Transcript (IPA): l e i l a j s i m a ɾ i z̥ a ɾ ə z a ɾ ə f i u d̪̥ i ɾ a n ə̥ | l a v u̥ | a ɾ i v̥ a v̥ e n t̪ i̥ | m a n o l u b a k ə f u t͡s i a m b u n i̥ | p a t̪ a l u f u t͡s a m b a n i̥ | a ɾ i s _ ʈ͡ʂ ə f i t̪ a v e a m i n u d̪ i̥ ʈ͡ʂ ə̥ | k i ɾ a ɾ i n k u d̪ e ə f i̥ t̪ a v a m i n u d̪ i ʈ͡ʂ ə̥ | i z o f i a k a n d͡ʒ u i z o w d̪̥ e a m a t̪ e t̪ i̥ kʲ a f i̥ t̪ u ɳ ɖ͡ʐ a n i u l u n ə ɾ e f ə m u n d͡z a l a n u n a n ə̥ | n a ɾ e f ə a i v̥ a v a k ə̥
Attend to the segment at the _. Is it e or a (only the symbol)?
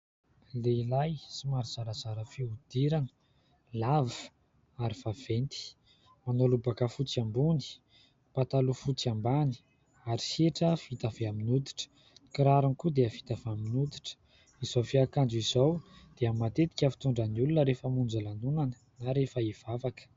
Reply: e